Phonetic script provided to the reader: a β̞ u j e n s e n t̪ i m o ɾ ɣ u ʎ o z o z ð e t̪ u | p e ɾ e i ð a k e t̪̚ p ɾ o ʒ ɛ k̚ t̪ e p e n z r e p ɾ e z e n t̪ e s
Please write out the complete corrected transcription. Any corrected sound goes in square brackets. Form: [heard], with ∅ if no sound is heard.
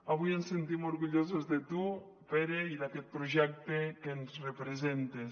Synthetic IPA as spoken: a β̞ u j e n s e n t̪ i m o ɾ ɣ u ʎ o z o z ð e t̪ u | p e ɾ e i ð a k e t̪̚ p ɾ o ʒ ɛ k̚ t̪ e [k] e n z r e p ɾ e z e n t̪ e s

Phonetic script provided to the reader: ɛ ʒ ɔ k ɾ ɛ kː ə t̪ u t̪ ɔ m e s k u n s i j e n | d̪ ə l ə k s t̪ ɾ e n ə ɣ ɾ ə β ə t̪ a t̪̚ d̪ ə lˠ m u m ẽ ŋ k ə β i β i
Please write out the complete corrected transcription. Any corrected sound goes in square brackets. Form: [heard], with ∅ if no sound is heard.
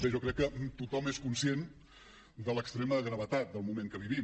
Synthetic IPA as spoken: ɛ ʒ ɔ k ɾ ɛ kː ə t̪ u t̪ ɔ m e s k u n s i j e n | d̪ ə l ə k s t̪ ɾ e [m] ə ɣ ɾ ə β ə t̪ a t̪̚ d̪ ə lˠ m u m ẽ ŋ k ə β i β i

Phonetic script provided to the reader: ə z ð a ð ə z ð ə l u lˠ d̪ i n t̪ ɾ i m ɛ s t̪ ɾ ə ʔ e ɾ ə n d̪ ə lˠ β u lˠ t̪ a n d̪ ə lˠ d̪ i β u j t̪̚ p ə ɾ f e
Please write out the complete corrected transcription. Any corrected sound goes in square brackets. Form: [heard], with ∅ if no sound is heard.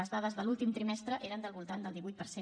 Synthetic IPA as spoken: ə z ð a ð ə z ð ə l u lˠ [t̪] i [m] t̪ ɾ i m ɛ s t̪ ɾ ə ʔ e ɾ ə n d̪ ə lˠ β u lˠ t̪ a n d̪ ə lˠ d̪ i β u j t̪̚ p ə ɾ [s] e

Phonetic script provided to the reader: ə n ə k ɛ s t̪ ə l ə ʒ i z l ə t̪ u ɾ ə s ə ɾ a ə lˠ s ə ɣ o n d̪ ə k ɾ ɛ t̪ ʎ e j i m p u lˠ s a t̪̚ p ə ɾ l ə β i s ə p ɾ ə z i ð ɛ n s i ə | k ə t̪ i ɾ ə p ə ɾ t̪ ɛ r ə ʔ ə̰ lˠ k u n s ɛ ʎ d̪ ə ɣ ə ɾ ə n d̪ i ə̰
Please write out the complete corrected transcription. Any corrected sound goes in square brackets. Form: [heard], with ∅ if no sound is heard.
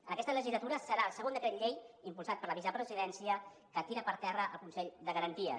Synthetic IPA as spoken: ə n ə k ɛ s t̪ ə l ə ʒ i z l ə t̪ u ɾ ə s ə ɾ a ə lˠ s ə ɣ o n d̪ ə k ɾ ɛ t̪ ʎ e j i m p u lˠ s a t̪̚ p ə ɾ l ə β i [z] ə p ɾ ə z i ð ɛ n s i ə | k ə t̪ i ɾ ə p ə ɾ t̪ ɛ r ə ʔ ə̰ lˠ k u n s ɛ ʎ d̪ ə ɣ ə ɾ ə n [t̪] i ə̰

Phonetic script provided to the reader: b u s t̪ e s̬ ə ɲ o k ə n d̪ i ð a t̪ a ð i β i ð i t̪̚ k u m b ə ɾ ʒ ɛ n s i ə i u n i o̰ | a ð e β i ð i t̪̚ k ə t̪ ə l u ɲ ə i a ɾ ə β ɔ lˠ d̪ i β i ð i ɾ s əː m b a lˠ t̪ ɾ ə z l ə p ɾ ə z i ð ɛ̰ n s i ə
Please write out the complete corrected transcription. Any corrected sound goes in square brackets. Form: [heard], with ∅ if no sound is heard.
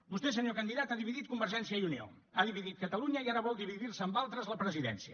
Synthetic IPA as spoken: b u s t̪ e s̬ ə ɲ o k ə n d̪ i ð a t̪ a ð i β i ð i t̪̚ k u m b ə ɾ ʒ ɛ n s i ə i u n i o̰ | a ð [i] β i ð i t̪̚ k ə t̪ ə l u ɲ ə i a ɾ ə β ɔ lˠ d̪ i β i ð i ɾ s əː m b a lˠ t̪ ɾ ə z l ə p ɾ ə z i ð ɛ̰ n s i ə

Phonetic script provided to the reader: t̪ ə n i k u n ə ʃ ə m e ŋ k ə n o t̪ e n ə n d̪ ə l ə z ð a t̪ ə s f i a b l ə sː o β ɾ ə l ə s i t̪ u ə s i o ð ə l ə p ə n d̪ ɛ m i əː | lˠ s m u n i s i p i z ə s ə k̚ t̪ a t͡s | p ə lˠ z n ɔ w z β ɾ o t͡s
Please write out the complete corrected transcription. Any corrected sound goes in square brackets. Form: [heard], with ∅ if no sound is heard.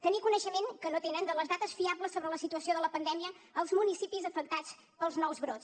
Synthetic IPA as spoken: t̪ ə n i k u n ə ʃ ə m e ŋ k ə n o t̪ e n ə n d̪ ə l ə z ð a t̪ ə s f i a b l ə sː o β ɾ ə l ə s i t̪ u ə s i o ð ə l ə p ə n d̪ ɛ m i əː | lˠ [z] m u n i s i p i z ə [f] ə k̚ t̪ a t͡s | p ə lˠ z n ɔ w z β ɾ o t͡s

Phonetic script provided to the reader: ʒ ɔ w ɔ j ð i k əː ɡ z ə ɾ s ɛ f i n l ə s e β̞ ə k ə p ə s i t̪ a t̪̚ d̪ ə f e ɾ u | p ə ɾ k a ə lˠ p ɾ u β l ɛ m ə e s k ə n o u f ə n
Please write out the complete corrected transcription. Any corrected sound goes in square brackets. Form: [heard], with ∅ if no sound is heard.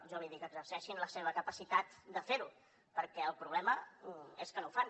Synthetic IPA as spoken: ʒ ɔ [β] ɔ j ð i k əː ɡ z ə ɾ s ɛ [ʃ] i n l ə s e β̞ ə k ə p ə s i t̪ a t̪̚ d̪ ə f e ɾ u | p ə ɾ k [ɛ] ə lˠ p ɾ u β l ɛ m ə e s k ə n o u f [a] n

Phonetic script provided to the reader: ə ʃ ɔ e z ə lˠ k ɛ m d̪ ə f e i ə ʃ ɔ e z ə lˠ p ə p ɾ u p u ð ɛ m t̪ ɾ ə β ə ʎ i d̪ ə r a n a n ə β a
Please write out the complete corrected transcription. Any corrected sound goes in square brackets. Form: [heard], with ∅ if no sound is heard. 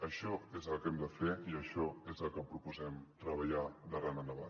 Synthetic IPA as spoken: ə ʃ ɔ e z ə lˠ k ɛ m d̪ ə f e i ə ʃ ɔ e z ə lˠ [k] ə p ɾ u p u [z] ɛ m t̪ ɾ ə β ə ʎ [a] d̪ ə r a n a n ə β a

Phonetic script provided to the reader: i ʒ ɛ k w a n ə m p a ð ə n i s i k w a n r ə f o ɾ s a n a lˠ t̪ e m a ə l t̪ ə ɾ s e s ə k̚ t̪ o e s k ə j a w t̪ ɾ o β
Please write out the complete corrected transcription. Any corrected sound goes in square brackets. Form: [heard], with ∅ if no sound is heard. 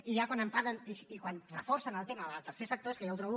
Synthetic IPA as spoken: i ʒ [a] k w a n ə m p a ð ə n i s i k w a n r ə f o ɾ s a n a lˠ t̪ e m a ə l t̪ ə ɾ s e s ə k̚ t̪ o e s k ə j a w t̪ ɾ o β

